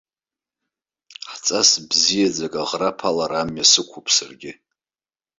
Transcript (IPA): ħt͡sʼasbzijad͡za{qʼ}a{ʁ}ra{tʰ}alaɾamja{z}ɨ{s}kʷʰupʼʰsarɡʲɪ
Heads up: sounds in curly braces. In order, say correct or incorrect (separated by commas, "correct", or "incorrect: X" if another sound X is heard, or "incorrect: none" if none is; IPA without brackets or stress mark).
incorrect: kʼ, correct, incorrect: pʰ, incorrect: s, incorrect: none